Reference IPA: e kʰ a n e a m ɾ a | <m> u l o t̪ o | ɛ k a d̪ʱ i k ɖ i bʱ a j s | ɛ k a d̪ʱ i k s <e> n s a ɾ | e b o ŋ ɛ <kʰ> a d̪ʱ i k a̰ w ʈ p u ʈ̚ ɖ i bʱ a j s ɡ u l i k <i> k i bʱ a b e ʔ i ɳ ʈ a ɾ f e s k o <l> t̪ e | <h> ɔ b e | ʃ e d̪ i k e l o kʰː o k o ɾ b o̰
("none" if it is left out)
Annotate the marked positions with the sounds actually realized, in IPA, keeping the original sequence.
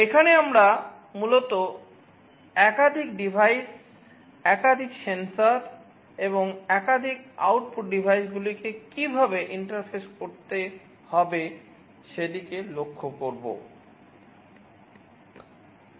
m, e, k, e, ɾ, h

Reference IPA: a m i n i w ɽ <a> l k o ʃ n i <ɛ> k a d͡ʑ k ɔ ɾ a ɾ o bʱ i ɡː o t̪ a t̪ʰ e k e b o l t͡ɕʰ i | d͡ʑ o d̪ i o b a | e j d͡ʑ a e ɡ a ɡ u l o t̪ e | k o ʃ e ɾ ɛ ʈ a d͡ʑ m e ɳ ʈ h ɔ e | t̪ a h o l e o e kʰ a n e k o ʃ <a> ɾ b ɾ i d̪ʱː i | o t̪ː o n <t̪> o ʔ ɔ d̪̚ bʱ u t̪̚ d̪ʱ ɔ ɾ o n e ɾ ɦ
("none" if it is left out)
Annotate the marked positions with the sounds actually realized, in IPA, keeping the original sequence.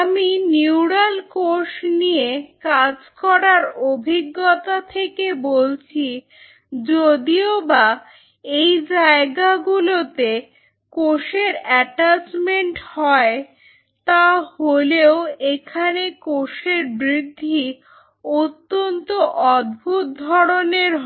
a, e, e, t̪

